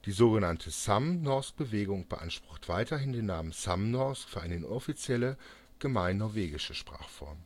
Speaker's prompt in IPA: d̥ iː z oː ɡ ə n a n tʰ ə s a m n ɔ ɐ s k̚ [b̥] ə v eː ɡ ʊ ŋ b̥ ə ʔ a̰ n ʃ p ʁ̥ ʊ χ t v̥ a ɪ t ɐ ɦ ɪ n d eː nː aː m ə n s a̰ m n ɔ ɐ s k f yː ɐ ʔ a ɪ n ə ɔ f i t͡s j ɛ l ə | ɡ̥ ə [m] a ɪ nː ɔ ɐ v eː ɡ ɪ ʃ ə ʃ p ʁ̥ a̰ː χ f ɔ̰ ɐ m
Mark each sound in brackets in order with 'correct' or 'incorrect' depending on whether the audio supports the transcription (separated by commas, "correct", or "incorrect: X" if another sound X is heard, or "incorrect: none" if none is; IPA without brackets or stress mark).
correct, correct